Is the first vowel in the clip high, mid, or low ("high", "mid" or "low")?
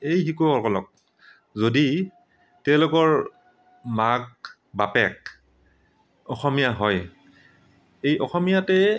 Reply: mid